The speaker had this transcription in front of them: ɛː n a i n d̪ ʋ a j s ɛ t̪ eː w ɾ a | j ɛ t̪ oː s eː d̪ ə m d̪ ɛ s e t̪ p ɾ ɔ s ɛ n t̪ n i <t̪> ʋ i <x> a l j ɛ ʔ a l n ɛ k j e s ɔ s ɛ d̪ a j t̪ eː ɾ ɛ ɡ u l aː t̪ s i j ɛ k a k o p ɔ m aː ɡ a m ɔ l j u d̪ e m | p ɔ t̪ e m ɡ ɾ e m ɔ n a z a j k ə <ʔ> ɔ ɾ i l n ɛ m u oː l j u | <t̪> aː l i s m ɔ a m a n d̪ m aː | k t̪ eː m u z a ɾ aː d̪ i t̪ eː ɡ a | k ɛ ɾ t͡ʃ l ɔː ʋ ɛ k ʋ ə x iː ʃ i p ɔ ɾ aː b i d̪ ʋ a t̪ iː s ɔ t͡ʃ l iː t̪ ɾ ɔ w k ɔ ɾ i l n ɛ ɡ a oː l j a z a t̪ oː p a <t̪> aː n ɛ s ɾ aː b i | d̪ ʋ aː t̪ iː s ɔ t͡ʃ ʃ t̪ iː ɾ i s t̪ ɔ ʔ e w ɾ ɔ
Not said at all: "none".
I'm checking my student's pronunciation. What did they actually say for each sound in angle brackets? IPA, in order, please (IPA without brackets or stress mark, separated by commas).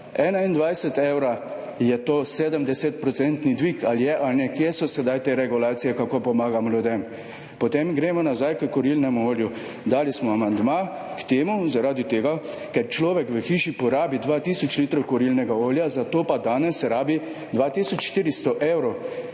d̪, k, k, d̪, d̪